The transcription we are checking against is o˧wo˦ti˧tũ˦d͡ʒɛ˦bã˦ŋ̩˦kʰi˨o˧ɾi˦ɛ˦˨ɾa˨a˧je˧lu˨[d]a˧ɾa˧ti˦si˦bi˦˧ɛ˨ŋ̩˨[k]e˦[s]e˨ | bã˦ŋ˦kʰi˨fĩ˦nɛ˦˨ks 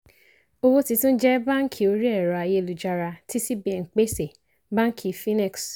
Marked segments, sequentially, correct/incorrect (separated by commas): incorrect, incorrect, correct